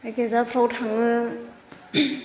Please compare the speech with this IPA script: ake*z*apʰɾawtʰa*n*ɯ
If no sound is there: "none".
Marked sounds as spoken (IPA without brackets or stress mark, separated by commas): z, ŋ